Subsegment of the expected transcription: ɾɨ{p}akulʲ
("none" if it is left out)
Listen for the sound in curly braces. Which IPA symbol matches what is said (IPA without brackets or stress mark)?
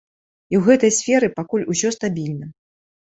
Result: p